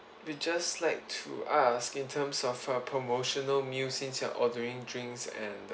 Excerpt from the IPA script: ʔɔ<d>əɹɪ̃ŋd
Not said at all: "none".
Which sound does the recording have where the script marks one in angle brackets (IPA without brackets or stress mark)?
d